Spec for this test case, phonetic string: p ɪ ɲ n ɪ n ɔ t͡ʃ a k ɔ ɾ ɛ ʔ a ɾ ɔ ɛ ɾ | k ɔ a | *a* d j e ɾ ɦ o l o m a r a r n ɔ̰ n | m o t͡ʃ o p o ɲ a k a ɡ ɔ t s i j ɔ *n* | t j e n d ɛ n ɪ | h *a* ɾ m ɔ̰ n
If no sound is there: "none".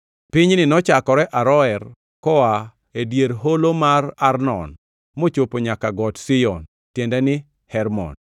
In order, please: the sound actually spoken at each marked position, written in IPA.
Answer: e, n, ɛ

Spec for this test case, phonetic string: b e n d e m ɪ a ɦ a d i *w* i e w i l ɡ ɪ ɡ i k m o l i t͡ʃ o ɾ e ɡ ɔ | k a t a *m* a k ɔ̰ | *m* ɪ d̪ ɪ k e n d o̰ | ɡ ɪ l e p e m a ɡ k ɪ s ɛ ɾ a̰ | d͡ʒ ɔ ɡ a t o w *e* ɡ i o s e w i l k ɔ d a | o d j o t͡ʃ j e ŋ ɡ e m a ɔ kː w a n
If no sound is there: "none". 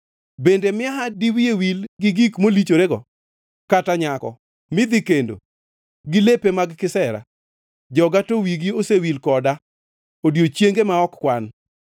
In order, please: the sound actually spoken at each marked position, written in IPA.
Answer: w, ɲ, m, i

